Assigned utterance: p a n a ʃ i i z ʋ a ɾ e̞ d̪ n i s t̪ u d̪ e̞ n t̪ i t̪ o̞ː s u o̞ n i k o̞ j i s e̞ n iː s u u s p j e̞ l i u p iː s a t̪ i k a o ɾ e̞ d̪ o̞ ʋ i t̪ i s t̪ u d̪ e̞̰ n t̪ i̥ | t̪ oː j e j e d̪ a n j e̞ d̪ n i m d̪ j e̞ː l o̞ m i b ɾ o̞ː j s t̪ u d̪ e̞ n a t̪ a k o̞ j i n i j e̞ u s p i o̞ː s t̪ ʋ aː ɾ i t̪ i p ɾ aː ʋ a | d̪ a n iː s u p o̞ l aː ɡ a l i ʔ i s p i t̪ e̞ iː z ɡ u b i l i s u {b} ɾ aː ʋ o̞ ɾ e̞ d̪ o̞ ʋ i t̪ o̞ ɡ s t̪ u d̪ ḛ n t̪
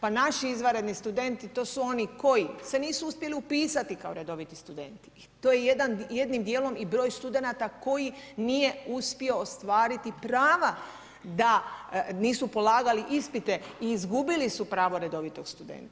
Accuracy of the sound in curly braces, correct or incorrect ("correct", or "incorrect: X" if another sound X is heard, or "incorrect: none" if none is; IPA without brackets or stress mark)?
incorrect: p